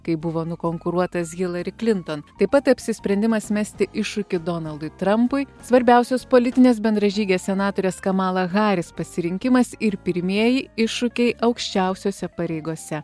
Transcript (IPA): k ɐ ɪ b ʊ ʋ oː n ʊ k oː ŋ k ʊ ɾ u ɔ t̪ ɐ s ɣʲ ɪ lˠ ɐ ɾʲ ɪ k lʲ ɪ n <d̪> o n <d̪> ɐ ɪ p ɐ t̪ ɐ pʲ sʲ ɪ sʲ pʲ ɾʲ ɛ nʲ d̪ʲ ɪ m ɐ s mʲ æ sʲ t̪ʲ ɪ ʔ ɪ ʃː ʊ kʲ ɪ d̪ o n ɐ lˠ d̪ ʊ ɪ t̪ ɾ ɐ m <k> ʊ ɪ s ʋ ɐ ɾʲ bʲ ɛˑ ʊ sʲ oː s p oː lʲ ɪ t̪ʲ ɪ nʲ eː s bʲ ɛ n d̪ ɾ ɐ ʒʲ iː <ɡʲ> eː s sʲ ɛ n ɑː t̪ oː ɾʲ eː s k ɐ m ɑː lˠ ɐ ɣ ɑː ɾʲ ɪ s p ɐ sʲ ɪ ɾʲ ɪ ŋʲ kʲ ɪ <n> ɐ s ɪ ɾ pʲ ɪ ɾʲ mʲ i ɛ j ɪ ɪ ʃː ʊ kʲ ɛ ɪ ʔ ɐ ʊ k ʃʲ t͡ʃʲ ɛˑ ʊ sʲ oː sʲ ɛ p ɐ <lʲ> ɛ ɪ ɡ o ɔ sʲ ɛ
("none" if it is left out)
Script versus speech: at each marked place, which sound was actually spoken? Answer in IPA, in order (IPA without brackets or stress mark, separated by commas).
t̪, t̪, p, ɡʲ, m, ɾʲ